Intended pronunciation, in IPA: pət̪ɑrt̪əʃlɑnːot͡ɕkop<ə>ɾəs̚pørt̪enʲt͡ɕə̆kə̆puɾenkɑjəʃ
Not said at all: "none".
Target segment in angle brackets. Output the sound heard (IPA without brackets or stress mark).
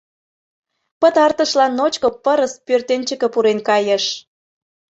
ə